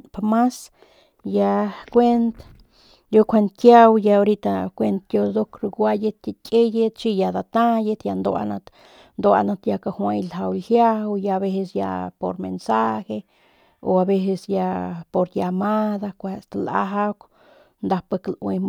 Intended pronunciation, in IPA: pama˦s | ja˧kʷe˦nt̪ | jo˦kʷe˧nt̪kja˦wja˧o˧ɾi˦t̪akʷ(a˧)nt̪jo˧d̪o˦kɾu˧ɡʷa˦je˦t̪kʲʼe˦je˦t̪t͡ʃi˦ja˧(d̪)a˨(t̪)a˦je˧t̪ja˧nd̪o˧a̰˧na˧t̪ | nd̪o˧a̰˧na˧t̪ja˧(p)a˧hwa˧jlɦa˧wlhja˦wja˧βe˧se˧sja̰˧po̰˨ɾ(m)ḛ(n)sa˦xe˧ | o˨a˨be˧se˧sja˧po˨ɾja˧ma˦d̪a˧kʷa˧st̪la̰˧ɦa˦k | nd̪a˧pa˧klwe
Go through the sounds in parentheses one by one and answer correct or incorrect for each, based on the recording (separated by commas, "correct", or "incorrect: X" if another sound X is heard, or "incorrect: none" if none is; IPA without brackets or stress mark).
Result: incorrect: e˧, correct, correct, incorrect: k, correct, correct